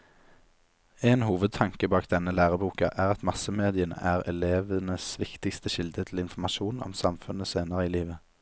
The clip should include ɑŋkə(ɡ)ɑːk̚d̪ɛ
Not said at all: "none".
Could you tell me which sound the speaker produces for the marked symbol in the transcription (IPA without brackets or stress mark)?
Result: b